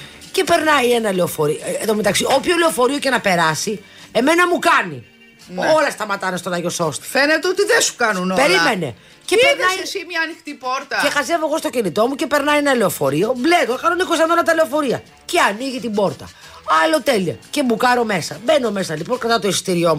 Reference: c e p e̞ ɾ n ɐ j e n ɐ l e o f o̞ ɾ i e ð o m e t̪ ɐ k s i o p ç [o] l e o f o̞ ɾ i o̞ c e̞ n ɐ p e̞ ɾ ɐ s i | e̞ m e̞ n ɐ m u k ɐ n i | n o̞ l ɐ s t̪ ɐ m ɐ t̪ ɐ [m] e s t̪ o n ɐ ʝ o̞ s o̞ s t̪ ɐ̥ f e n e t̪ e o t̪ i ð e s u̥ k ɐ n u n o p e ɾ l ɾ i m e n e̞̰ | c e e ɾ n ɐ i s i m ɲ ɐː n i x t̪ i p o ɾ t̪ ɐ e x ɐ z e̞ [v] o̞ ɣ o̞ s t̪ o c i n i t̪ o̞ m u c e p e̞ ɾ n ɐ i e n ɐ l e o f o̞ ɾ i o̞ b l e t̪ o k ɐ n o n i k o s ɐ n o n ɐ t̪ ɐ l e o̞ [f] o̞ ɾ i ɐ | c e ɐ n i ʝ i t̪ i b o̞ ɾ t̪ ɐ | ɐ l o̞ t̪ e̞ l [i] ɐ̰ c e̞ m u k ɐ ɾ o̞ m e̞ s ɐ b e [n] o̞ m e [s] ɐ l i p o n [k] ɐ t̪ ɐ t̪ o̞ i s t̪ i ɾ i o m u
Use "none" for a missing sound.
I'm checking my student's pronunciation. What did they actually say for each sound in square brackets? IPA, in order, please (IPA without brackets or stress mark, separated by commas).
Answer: o, n, v, f, i, n, s, k